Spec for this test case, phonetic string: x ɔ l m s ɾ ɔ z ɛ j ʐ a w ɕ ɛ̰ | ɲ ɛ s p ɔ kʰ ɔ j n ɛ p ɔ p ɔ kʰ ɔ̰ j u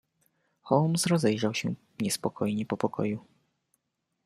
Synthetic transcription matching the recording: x ɔ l m s ɾ ɔ z ɛ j ʐ a w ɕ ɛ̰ | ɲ ɛ s p ɔ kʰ ɔ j ɲ ɛ p ɔ p ɔ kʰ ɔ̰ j u